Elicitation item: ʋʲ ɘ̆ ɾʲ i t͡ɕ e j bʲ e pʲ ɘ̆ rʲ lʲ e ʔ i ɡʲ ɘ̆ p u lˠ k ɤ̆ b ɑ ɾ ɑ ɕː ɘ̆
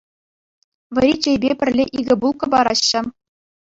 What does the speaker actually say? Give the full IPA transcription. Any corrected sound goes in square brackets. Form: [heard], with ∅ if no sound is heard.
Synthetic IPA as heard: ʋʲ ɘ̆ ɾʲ i t͡ɕ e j bʲ e pʲ ɘ̆ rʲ lʲ e ʔ i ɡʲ ɘ̆ [b] u lˠ k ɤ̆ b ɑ ɾ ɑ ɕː ɘ̆